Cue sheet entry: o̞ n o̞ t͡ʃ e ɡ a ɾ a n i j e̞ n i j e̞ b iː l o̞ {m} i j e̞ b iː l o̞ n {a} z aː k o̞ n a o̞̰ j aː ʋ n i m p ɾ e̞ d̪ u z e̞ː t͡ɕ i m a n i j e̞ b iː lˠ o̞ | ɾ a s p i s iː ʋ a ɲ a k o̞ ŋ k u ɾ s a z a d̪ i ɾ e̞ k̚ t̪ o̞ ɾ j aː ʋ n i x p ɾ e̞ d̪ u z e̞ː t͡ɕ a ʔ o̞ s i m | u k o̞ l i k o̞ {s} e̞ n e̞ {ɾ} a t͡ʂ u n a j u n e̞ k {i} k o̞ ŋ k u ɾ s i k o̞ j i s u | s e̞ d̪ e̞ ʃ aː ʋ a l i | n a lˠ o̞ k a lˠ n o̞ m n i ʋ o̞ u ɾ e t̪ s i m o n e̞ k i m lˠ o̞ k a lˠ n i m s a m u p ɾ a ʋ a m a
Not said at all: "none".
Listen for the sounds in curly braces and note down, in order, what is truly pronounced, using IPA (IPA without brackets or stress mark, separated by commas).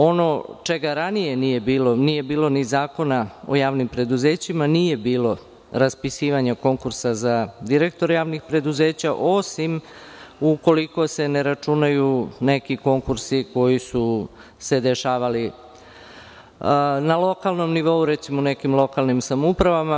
n, i, s, ɾ, i